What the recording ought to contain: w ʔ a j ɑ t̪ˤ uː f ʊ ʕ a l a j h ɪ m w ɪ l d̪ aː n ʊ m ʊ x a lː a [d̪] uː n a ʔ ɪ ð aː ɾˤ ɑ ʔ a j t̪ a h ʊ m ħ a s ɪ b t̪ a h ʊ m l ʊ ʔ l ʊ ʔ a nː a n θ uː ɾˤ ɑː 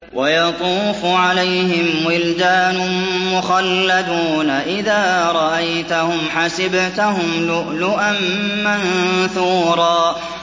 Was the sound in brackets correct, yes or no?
yes